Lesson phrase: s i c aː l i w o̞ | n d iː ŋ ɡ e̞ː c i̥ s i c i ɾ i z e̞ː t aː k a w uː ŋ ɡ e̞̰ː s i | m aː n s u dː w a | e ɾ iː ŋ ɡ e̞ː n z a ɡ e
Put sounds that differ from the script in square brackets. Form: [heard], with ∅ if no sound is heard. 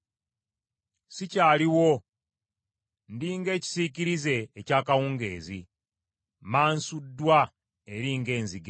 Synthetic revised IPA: s i c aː l i w o̞ | n d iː ŋ ɡ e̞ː c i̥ s i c i ɾ i z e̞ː [c] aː k a w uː ŋ ɡ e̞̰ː [z] i | m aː n s u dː w a | e ɾ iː ŋ ɡ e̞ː n z [i] ɡ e